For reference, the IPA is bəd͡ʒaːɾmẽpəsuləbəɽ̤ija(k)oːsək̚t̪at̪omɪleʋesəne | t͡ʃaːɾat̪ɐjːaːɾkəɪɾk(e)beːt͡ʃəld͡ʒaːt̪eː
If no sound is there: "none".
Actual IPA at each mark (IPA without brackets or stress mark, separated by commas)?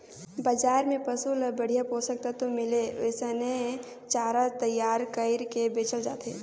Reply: p, e